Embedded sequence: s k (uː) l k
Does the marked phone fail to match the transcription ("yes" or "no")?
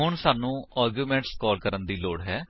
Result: yes